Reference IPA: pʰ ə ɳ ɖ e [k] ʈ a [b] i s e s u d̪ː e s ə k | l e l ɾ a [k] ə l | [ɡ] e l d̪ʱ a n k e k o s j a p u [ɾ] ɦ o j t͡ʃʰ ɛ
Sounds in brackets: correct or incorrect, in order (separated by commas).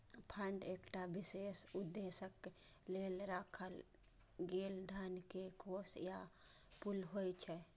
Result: correct, correct, incorrect, correct, incorrect